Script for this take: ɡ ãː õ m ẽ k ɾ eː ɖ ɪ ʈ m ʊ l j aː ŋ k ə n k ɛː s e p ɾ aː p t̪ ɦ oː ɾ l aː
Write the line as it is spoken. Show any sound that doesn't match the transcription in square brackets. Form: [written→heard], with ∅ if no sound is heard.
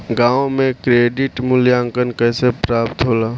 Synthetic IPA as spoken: ɡ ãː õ m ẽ k ɾ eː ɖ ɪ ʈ m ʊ l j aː ŋ k ə n k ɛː s e p ɾ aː p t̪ ɦ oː [ɾ→∅] l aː